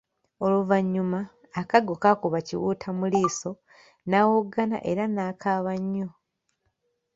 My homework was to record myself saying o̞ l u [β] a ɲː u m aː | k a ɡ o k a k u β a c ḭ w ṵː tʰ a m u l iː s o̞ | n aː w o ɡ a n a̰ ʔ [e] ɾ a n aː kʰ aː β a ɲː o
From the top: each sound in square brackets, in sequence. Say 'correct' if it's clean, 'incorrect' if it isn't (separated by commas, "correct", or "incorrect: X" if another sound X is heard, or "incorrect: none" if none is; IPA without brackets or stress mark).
incorrect: v, correct